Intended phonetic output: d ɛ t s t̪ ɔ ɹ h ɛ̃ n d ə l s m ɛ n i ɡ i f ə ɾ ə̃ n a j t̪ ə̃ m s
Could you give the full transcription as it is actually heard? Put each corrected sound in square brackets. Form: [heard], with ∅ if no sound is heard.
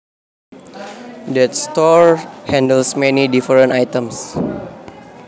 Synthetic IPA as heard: d ɛ t s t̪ ɔ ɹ h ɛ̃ n d ə l s m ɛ n i [d] i f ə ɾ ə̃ n a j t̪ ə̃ m s